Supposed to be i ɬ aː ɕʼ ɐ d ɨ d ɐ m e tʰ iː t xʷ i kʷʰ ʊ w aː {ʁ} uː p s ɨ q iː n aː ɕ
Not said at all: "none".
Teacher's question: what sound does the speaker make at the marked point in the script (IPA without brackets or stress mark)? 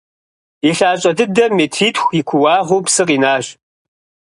ʁ